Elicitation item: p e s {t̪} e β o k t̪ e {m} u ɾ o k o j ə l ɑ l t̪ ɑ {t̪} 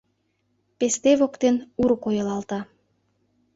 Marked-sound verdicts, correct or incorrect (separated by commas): correct, incorrect, incorrect